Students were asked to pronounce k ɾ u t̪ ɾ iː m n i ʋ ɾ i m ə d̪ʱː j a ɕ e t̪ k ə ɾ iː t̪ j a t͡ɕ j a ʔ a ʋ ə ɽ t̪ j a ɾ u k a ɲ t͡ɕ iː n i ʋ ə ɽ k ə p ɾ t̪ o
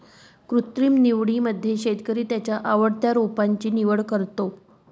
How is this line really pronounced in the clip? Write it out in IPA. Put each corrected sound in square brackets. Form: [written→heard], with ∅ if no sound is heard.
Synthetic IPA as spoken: k ɾ u t̪ ɾ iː m n i ʋ [ɾ→ɽ] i m ə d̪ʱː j [a→e] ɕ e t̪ k ə ɾ iː t̪ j a t͡ɕ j a ʔ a ʋ ə ɽ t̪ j a ɾ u [k→p] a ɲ t͡ɕ iː n i ʋ ə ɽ k ə [p→∅] ɾ t̪ o